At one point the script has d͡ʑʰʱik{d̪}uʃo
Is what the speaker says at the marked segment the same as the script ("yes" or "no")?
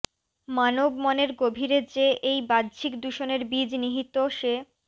yes